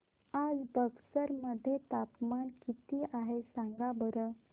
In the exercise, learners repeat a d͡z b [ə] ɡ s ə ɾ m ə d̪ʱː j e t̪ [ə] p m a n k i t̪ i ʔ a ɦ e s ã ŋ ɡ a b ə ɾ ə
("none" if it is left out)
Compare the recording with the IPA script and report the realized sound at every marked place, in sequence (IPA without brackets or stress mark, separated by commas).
ə, a